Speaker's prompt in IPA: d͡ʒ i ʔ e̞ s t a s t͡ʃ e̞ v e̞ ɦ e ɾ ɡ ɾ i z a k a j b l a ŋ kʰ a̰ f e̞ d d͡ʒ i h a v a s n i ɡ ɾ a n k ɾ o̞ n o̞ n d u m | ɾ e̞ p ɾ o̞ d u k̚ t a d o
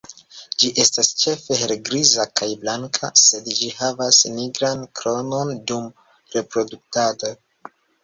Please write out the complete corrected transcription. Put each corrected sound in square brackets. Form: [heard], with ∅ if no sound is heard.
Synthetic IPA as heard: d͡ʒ i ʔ e̞ s t a s t͡ʃ e̞ [f] e̞ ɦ e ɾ ɡ ɾ i z a k a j b l a ŋ kʰ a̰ [s] e̞ d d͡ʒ i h a v a s n i ɡ ɾ a n k ɾ o̞ n o̞ n d u m | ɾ e̞ p ɾ o̞ d u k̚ t a d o